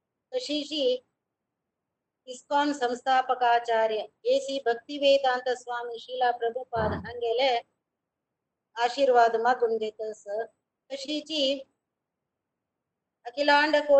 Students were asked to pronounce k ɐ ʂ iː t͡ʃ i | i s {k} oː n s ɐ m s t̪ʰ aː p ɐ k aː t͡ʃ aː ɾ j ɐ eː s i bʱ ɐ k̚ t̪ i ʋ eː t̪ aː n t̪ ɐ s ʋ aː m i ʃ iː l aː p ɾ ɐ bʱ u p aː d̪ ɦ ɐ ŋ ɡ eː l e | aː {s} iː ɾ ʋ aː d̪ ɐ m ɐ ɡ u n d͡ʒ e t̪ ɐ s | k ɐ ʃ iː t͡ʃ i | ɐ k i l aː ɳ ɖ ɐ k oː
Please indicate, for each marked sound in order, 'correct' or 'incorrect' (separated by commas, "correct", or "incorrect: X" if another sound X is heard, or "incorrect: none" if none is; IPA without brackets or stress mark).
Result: correct, incorrect: ʃ